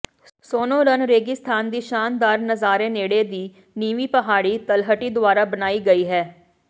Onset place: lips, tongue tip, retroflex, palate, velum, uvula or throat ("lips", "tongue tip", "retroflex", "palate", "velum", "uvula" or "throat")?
tongue tip